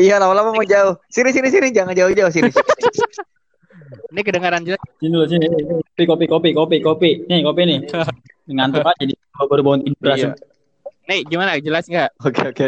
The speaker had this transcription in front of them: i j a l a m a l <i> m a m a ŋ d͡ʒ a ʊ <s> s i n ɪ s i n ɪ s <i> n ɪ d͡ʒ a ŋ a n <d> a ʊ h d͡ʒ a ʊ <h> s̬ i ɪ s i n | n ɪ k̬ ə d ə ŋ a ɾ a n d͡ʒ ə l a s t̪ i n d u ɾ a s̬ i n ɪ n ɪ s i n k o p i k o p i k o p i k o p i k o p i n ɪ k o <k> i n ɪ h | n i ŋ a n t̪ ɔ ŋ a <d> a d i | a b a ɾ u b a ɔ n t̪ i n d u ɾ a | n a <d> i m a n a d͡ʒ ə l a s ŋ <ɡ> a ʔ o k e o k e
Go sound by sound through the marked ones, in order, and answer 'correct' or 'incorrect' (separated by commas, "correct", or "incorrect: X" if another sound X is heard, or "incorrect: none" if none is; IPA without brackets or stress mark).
incorrect: a, incorrect: h, correct, incorrect: d͡ʒ, correct, incorrect: p, incorrect: d͡ʒ, incorrect: ɡ, correct